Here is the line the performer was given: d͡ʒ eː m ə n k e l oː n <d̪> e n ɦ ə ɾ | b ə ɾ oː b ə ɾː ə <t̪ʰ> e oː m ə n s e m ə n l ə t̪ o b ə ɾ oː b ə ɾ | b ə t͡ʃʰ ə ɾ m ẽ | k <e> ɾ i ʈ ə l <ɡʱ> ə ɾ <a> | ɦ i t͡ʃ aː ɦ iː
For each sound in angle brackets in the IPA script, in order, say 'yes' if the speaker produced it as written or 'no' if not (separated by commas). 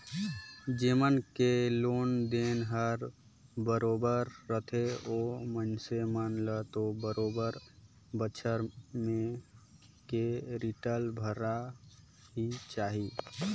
yes, yes, yes, no, yes